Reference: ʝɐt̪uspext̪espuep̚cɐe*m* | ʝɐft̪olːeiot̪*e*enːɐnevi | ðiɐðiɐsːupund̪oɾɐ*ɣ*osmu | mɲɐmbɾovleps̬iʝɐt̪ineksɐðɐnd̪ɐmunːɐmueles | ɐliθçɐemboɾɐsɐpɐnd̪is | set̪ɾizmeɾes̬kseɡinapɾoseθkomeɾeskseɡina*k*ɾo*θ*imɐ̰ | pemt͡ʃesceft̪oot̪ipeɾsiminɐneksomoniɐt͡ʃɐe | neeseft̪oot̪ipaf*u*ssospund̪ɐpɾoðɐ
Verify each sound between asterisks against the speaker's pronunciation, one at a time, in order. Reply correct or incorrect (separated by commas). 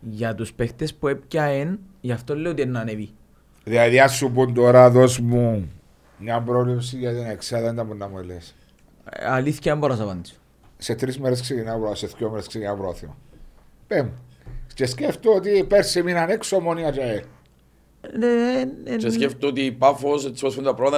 incorrect, incorrect, incorrect, incorrect, correct, incorrect